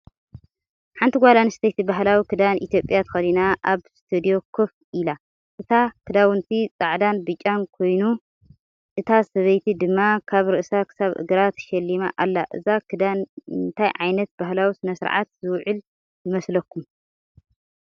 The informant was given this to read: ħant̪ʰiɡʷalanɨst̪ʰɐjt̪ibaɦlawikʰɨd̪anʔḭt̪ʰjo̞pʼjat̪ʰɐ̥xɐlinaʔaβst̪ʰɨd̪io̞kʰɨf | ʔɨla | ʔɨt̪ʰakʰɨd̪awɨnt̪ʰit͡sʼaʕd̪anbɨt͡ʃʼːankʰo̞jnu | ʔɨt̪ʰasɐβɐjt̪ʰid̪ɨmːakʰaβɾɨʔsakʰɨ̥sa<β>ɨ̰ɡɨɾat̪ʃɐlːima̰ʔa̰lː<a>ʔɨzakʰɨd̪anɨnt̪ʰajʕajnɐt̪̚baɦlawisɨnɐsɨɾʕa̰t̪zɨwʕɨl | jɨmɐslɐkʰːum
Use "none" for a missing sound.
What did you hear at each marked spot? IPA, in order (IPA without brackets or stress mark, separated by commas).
β, a